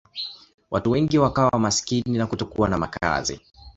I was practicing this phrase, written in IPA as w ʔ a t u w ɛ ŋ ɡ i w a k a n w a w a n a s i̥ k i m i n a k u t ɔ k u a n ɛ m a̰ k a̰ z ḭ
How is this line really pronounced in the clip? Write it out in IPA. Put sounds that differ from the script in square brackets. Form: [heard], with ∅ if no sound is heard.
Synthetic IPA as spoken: w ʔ a t u w ɛ ŋ ɡ i w a k a [∅] w a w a [m] a s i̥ k i [n] i n a k u t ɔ k u a n [a] m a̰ k a̰ z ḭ